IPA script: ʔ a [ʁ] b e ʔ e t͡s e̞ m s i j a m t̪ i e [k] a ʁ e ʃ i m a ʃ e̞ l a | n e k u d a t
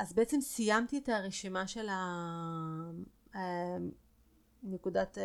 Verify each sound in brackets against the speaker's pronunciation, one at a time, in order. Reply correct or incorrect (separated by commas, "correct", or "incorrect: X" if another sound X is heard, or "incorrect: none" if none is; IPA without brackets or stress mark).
incorrect: z, incorrect: t